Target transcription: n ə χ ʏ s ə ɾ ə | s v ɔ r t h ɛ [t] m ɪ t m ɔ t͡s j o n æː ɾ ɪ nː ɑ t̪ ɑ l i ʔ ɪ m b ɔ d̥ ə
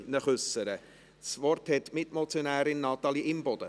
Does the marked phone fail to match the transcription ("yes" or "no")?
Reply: no